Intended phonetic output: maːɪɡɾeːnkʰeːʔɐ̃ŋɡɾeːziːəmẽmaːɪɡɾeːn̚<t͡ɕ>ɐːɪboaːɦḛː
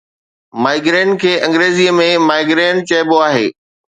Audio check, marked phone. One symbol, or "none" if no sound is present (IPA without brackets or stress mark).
t͡ɕ